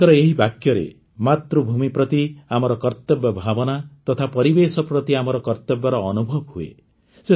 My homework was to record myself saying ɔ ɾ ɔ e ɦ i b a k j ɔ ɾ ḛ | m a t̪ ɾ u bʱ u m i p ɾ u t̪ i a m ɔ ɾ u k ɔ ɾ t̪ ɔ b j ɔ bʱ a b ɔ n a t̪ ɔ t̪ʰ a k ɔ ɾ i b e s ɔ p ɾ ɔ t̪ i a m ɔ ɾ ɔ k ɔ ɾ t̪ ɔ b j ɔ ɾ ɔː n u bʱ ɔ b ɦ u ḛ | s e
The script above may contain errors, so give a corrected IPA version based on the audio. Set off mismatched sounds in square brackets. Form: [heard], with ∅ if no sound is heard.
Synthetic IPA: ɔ ɾ ɔ e ɦ i b a k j ɔ ɾ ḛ | m a t̪ ɾ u bʱ u m i p ɾ [ɔ] t̪ i a m ɔ ɾ [ɔ] k ɔ ɾ t̪ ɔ b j ɔ bʱ a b ɔ n a t̪ ɔ t̪ʰ a [p] ɔ ɾ i b e s ɔ p ɾ ɔ t̪ i a m ɔ ɾ ɔ k ɔ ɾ t̪ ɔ b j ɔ ɾ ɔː n u bʱ ɔ b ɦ u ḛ | s e

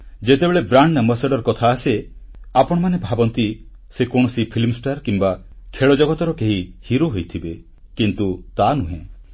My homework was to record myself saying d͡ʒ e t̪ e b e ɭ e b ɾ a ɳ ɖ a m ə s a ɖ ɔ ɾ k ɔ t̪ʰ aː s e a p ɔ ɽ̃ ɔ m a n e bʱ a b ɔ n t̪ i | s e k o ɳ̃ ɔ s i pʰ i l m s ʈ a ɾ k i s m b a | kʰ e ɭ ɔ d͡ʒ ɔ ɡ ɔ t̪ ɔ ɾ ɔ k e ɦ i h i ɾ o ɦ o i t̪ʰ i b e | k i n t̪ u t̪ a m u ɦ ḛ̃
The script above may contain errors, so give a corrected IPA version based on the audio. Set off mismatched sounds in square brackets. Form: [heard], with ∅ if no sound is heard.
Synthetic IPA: d͡ʒ e t̪ e b e ɭ e b ɾ a ɳ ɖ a m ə s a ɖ ɔ ɾ k ɔ t̪ʰ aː s e a p ɔ ɽ̃ ɔ m a n e bʱ a b ɔ n t̪ i | s e k o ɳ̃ ɔ s i pʰ i l m s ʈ a ɾ k i [∅] m b a | kʰ e ɭ ɔ d͡ʒ ɔ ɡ ɔ t̪ ɔ ɾ ɔ k e ɦ i h i ɾ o ɦ o [j] t̪ʰ i b e | k i n t̪ u t̪ a [n] u ɦ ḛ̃

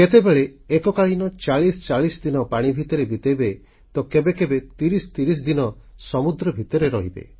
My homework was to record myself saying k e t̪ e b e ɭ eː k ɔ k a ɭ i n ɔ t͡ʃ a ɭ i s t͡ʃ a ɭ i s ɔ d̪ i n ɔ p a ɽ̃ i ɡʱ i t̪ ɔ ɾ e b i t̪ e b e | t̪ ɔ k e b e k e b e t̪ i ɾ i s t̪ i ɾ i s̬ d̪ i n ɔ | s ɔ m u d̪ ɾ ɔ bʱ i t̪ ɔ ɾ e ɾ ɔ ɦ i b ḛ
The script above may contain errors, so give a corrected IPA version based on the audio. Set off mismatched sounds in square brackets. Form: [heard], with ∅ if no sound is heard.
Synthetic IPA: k e t̪ e b e ɭ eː k ɔ k a ɭ i n ɔ t͡ʃ a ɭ i s t͡ʃ a ɭ i s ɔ d̪ i n ɔ p a ɽ̃ i [bʱ] i t̪ ɔ ɾ e b i t̪ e b e | t̪ ɔ k e b e k e b e t̪ i ɾ i s t̪ i ɾ i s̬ d̪ i n ɔ | s ɔ m u d̪ ɾ ɔ bʱ i t̪ ɔ ɾ e ɾ ɔ ɦ i b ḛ

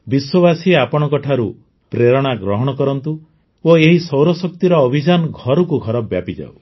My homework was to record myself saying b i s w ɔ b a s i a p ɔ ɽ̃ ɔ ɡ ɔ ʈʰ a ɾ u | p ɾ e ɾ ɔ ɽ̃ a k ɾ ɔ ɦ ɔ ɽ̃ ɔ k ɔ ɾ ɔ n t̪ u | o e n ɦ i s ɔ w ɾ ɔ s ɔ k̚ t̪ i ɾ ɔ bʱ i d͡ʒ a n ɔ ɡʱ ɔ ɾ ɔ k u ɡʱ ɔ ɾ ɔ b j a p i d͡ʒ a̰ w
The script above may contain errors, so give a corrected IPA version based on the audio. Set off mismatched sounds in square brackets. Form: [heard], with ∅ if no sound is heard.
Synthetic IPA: b i s w ɔ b a s i a p ɔ ɽ̃ ɔ [k] ɔ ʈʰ a ɾ u | p ɾ e ɾ ɔ ɽ̃ a [ɡ] ɾ ɔ ɦ ɔ ɽ̃ ɔ k ɔ ɾ ɔ n t̪ u | o e [∅] ɦ i s ɔ w ɾ ɔ s ɔ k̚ t̪ i ɾ [ɔː] bʱ i d͡ʒ a n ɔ ɡʱ ɔ ɾ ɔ k u ɡʱ ɔ ɾ ɔ b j a p i d͡ʒ a̰ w

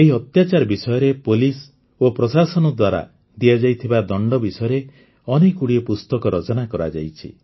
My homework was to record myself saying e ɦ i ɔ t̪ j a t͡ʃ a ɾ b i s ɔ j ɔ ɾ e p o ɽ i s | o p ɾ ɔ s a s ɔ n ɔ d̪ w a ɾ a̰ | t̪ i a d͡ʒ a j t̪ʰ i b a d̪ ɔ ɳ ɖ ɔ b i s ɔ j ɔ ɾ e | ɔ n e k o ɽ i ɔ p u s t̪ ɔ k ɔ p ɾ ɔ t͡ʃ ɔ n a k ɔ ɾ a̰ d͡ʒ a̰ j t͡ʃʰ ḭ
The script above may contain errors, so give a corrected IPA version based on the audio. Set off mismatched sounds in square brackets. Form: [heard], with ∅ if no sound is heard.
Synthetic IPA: e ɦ i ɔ t̪ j a t͡ʃ a ɾ b i s ɔ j ɔ ɾ e p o [l] i s | o p ɾ ɔ s a s ɔ n ɔ d̪ w a ɾ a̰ | [d̪] i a d͡ʒ a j t̪ʰ i b a d̪ ɔ ɳ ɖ ɔ b i s ɔ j ɔ ɾ e | ɔ n e k [u] ɽ i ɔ p u s t̪ ɔ k ɔ [∅] ɾ ɔ t͡ʃ ɔ n a k ɔ ɾ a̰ d͡ʒ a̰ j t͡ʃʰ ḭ

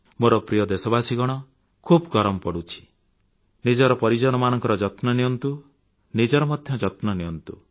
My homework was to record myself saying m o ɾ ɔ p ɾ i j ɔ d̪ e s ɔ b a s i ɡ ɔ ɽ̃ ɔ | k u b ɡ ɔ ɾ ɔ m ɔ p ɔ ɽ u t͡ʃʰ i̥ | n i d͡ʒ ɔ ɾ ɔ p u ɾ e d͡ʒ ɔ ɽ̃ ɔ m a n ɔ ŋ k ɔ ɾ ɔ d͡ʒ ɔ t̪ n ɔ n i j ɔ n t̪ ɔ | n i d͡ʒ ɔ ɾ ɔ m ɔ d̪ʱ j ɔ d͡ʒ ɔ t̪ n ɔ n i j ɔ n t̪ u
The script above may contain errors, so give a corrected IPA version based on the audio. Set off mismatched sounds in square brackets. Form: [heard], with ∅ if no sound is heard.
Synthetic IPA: m o ɾ ɔ p ɾ i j ɔ d̪ e s ɔ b a s i ɡ ɔ ɽ̃ ɔ | [kʰ] u b ɡ ɔ ɾ ɔ m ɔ p ɔ ɽ u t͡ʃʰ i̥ | n i d͡ʒ ɔ ɾ ɔ p [ɔ] ɾ [i] d͡ʒ ɔ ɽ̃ ɔ m a n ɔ ŋ k ɔ ɾ ɔ d͡ʒ ɔ t̪ n ɔ n i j ɔ n t̪ [u] | n i d͡ʒ ɔ ɾ ɔ m ɔ d̪ʱ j ɔ d͡ʒ ɔ t̪ n ɔ n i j ɔ n t̪ u

